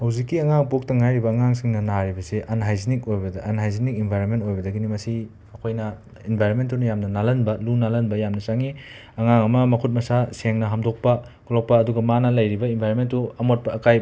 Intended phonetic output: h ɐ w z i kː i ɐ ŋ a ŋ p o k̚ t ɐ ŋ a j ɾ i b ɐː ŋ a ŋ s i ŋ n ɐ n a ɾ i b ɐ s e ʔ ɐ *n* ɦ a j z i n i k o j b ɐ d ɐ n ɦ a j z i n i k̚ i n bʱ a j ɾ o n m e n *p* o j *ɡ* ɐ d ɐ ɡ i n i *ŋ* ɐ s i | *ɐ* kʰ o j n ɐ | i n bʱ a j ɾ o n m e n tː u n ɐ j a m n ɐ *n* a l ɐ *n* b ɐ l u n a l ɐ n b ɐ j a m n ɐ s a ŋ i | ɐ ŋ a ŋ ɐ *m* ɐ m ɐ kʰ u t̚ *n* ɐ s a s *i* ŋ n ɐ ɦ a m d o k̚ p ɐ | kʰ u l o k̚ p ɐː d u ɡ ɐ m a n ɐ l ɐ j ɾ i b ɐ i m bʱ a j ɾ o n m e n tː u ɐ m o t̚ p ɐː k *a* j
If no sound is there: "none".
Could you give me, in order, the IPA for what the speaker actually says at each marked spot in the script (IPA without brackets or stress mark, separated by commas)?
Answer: n, t, b, m, ɐ, n, n, m, m, e, a